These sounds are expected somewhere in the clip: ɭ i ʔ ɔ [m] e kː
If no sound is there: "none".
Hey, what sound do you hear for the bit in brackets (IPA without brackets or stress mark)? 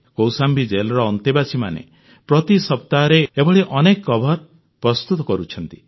n